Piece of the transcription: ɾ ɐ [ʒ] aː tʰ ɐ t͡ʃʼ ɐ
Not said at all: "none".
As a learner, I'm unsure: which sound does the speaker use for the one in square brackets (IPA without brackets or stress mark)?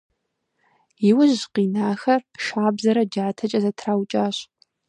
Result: d͡ʒ